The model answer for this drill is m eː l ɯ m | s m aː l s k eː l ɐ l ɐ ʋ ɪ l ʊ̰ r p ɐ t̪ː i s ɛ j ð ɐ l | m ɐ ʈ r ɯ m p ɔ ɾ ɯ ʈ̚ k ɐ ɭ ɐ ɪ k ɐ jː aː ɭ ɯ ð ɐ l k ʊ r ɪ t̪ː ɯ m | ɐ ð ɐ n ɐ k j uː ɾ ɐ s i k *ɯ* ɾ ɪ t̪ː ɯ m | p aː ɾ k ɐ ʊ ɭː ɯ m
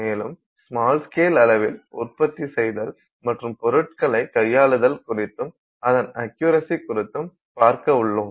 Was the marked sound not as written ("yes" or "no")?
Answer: yes